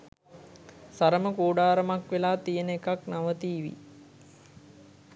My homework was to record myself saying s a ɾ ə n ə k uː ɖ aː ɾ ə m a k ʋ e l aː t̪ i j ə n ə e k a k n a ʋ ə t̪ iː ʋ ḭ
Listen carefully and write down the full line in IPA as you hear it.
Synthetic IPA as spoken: s a ɾ ə m ə k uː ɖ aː ɾ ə m a k ʋ e l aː t̪ i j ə n ə e k a k n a ʋ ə t̪ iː ʋ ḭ